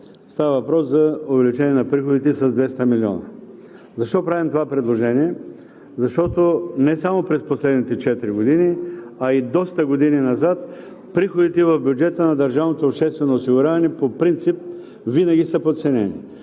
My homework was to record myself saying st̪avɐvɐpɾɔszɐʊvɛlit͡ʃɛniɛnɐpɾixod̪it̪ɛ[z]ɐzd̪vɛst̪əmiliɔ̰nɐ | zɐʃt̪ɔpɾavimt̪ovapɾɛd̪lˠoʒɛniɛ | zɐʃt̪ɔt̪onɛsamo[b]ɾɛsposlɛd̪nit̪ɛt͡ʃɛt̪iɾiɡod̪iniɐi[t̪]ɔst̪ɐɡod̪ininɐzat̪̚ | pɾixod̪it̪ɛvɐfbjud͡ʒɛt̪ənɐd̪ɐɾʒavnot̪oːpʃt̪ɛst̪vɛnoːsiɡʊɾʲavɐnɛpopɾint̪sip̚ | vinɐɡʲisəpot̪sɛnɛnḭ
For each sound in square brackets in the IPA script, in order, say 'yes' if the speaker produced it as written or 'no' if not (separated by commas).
no, no, no